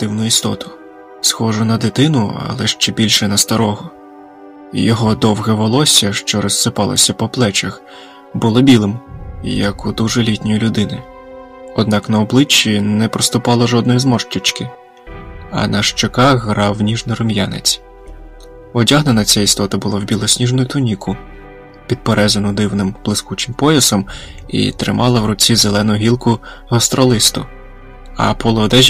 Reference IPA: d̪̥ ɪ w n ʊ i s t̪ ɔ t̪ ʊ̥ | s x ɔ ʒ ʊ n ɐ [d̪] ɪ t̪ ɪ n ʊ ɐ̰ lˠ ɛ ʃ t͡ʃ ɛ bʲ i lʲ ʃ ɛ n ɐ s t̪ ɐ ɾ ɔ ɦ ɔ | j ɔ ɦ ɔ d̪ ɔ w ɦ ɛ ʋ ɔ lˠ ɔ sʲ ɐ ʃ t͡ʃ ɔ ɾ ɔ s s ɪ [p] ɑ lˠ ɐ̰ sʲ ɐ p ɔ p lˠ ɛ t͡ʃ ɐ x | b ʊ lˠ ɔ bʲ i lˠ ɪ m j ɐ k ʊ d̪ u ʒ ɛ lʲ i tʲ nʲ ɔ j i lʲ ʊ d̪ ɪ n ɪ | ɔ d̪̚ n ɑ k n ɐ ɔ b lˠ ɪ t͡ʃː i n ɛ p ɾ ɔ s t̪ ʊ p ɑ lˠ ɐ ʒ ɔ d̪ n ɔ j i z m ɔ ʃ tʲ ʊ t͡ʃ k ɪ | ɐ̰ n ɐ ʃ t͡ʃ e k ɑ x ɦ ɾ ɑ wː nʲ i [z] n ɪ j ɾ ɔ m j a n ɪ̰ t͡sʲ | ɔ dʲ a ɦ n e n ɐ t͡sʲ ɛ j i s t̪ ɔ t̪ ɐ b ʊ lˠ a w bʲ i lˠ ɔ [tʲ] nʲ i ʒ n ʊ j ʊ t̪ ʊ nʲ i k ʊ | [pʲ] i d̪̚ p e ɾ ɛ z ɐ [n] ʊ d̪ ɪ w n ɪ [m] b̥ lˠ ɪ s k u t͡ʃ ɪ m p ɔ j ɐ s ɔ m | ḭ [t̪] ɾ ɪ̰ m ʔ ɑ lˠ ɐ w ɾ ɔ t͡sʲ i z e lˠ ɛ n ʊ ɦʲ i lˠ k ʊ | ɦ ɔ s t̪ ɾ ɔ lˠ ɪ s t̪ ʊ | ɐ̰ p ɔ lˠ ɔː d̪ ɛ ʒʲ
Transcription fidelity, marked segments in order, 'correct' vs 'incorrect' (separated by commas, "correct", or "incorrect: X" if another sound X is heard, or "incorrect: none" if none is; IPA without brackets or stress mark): correct, correct, incorrect: ʒ, incorrect: sʲ, correct, correct, correct, correct